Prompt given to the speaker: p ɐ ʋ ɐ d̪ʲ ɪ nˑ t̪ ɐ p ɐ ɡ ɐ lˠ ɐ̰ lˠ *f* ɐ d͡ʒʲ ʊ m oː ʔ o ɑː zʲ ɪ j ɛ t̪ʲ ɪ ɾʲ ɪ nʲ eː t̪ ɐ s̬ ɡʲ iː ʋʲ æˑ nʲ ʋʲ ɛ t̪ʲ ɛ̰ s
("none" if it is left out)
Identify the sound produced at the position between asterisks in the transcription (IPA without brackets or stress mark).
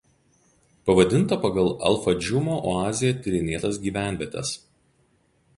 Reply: f